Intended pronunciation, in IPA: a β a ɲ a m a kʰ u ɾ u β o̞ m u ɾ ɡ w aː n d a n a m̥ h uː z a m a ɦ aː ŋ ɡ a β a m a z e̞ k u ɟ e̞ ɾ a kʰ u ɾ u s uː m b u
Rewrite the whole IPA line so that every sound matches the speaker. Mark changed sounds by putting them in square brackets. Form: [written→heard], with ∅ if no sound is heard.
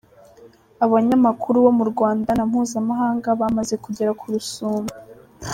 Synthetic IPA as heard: a β a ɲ a m a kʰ u ɾ u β o̞ m u ɾ ɡ w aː n d a n a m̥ h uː z a m a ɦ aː ŋ ɡ a β a m a z e̞ k u ɟ e̞ ɾ a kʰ u ɾ u s uː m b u

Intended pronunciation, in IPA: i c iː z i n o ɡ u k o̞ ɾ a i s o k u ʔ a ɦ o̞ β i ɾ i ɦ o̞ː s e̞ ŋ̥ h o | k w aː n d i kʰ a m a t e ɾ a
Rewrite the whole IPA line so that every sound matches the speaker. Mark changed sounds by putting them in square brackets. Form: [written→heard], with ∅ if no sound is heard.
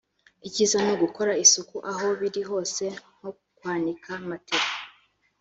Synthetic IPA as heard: i c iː z [i→a] n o ɡ u k o̞ ɾ a i s [o→u] k u ʔ a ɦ o̞ β i ɾ i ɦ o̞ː s e̞ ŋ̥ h o | k w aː n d i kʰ a m a t e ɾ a

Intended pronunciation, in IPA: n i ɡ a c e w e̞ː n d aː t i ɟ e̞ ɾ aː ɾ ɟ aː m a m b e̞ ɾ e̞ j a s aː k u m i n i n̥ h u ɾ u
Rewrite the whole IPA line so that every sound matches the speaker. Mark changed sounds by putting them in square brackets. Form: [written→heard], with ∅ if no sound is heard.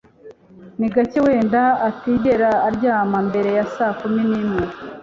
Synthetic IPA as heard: n i ɡ a c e w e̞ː n d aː t i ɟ e̞ ɾ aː ɾ ɟ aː m a m b e̞ ɾ e̞ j a s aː k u m i n i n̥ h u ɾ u

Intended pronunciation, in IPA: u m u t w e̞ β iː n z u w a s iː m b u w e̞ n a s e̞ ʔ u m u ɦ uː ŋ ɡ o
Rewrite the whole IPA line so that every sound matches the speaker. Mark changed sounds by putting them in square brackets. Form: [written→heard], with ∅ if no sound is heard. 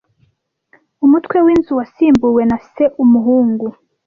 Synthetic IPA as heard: u m u t w e̞ [β→w] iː n z u w a s iː m b u w e̞ n a s e̞ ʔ u m u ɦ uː ŋ ɡ [o→u]

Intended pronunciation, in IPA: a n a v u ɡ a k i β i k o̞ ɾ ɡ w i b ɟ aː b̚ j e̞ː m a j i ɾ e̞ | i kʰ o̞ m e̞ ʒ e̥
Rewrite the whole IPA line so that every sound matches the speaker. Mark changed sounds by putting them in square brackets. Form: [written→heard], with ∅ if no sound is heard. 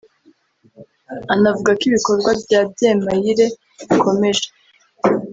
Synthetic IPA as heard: a n a v u ɡ a k i β i k o̞ ɾ ɡ w [i→a] b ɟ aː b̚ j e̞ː m a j i ɾ e̞ | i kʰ o̞ m e̞ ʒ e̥

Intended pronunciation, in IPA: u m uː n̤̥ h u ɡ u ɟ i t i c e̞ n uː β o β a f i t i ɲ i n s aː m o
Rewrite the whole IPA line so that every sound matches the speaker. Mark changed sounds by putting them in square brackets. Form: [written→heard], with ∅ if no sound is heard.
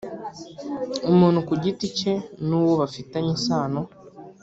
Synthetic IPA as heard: u m uː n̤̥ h u [ɡ→k] u ɟ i t i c e̞ n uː [β→w] o β a f i t [i→a] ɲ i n s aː [m→n] o

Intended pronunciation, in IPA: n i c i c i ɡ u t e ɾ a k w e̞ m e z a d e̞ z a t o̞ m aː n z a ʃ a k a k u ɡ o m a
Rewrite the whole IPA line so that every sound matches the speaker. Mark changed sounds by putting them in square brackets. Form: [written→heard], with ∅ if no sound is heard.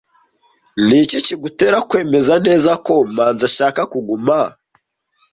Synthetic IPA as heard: n i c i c i ɡ u t e ɾ a k w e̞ m e z a [d→n] e̞ z a [t→k] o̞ m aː n z a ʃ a k a k u ɡ [o→u] m a

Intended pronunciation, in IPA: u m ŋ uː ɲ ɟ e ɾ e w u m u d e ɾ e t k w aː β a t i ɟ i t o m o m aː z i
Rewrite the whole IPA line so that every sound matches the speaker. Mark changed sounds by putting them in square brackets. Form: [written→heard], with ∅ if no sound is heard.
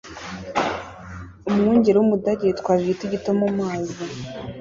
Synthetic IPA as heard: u m ŋ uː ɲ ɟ e ɾ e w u m u d [e→a] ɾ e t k w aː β [a→i] t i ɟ i t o m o m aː z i

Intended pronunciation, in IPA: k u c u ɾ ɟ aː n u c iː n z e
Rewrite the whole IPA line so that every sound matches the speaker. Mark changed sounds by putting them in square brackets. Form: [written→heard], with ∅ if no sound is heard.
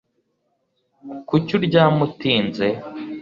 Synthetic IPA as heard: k u c u ɾ ɟ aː [n→m] u [c→t] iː n z e

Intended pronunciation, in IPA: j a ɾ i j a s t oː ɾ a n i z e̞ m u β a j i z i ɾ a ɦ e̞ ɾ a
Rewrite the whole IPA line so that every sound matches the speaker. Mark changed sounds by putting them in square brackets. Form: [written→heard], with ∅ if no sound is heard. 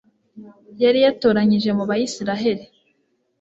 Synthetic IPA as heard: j a ɾ i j a [s→∅] t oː ɾ a [n→ɲ] i [z→ʒ] e̞ m u β a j i [z→s] i ɾ a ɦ e̞ ɾ [a→i]

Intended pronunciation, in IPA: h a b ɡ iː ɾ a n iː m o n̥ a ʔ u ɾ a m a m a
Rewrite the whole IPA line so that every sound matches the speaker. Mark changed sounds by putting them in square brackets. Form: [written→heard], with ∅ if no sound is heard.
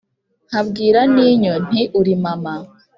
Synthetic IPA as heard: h a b ɡ iː ɾ a n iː [m→ɲ] o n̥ [a→i] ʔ u ɾ [a→i] m a m a

